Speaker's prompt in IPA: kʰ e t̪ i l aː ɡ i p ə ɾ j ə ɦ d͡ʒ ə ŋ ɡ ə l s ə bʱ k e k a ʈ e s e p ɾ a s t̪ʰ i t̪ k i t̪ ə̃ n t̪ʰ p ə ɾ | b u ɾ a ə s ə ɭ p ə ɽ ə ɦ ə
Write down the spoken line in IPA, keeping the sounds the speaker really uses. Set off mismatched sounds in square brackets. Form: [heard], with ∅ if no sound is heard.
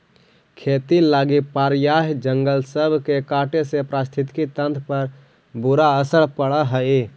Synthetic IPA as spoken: kʰ e t̪ i l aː ɡ i p [a] ɾ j [a] ɦ d͡ʒ ə ŋ ɡ ə l s ə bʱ k e k a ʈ e s e p ɾ a s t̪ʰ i t̪ k i t̪ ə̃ n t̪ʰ p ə ɾ | b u ɾ a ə s ə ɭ p ə ɽ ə ɦ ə